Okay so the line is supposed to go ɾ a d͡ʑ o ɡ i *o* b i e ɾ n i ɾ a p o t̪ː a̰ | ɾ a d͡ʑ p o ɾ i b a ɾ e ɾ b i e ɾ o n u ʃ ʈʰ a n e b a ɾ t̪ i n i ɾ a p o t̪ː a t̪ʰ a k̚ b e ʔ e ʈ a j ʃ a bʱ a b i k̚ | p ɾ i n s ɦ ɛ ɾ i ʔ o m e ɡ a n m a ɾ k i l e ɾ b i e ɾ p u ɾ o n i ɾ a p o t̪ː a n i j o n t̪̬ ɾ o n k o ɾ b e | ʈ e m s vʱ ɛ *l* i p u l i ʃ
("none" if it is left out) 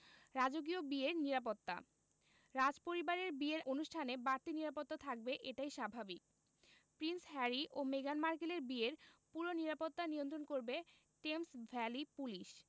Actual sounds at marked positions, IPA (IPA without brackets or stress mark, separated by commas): o, l